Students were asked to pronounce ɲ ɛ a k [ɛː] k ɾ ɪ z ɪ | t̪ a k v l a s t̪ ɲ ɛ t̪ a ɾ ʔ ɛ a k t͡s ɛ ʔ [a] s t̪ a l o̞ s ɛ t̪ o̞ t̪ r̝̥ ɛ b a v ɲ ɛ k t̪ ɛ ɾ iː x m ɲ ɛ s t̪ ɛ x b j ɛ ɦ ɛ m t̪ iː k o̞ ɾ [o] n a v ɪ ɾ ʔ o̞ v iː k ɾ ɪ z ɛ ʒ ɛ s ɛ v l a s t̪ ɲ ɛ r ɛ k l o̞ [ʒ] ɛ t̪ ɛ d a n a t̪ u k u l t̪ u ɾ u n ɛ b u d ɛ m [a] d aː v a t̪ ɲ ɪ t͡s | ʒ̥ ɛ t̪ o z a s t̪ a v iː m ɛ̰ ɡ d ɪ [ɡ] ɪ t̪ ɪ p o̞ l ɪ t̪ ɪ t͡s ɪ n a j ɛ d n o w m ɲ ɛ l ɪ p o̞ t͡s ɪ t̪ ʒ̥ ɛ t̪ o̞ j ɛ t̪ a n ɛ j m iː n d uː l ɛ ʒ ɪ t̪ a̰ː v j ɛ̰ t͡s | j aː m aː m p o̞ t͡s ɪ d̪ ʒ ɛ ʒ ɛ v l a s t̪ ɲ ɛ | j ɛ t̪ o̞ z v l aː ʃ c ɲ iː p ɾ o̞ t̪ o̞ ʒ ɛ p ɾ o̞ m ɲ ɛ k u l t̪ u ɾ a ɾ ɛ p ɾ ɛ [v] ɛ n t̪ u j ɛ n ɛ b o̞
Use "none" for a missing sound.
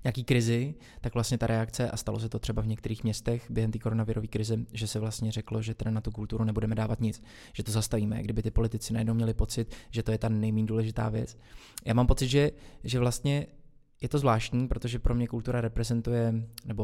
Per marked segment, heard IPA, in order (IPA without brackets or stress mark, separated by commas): iː, a, o, ʒ, ɛ, b, z